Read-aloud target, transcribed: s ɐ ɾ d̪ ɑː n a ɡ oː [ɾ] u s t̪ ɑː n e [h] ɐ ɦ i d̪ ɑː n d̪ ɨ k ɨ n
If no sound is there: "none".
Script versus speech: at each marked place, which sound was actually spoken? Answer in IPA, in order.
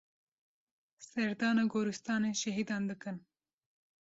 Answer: ɾ, ʃ

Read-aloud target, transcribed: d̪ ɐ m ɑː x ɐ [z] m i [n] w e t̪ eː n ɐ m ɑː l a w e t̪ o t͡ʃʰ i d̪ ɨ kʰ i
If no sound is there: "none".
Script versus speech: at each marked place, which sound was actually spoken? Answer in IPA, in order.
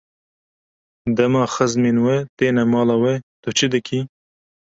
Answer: z, n

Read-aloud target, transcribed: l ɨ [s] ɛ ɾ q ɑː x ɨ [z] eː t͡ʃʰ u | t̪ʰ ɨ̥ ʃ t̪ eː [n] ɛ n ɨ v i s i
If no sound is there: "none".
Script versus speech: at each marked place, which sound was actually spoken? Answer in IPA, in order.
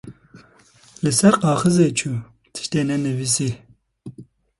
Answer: s, z, n

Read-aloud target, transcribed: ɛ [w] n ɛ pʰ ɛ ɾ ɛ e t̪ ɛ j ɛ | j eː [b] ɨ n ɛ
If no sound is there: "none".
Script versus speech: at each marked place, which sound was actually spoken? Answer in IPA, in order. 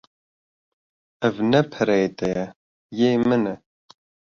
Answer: v, m

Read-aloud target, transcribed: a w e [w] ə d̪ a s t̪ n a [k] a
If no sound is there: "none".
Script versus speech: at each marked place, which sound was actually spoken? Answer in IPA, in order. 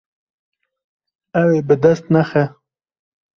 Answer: b, x

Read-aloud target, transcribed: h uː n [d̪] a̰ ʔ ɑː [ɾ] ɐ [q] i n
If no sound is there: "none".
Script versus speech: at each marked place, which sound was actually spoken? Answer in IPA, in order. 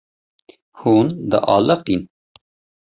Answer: d̪, l, q

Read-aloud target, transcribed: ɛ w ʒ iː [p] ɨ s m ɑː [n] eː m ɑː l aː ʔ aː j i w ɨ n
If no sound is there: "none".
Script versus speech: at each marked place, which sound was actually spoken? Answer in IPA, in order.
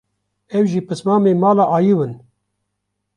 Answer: p, m

